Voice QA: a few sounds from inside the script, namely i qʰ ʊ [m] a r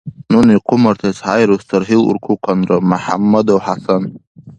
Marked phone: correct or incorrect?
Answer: correct